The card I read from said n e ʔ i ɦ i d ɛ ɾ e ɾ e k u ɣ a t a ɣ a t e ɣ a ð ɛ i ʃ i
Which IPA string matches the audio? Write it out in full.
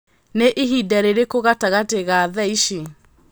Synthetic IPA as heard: n e ʔ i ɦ i d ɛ ɾ e ɾ e k o ɣ a t a ɣ a t e ɣ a ð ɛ i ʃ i